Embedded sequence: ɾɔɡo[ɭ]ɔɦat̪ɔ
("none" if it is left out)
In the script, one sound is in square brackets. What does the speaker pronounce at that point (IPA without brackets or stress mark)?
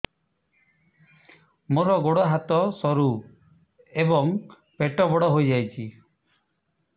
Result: ɽ